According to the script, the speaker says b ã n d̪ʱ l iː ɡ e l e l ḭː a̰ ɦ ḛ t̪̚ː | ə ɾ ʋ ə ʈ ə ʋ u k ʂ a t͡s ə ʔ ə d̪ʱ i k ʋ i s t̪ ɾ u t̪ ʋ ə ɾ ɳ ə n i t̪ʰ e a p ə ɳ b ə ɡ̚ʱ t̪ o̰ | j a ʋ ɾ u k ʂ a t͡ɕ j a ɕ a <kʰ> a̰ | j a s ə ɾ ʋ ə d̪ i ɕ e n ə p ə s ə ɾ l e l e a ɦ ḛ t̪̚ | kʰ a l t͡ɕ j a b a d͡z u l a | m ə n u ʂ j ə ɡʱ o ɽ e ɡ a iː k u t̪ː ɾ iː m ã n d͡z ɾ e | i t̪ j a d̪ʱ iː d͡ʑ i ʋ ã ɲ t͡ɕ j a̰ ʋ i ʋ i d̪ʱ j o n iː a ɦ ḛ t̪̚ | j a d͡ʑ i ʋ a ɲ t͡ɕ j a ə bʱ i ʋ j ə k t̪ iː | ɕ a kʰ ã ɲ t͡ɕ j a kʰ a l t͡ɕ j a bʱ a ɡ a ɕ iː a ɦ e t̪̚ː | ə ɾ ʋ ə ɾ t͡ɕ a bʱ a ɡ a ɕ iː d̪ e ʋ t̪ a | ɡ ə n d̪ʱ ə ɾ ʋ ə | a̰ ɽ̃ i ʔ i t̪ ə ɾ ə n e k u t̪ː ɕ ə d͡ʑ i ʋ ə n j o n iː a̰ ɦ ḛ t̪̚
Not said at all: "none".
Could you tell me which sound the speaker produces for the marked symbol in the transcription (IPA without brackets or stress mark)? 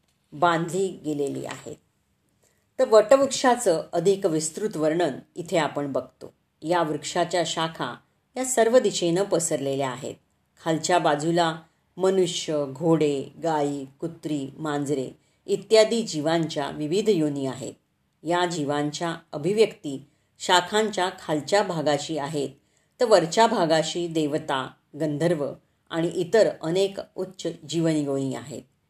kʰ